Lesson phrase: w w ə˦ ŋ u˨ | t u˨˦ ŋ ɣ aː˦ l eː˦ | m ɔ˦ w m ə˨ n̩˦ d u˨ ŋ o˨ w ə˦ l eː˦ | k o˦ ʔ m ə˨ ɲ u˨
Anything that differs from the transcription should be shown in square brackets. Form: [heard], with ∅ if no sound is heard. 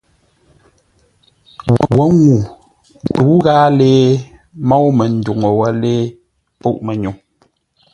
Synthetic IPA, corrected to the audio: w w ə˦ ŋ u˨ | t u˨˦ [∅] ɣ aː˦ l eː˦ | m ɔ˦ w m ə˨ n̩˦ d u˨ ŋ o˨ w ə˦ l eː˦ | [p] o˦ ʔ m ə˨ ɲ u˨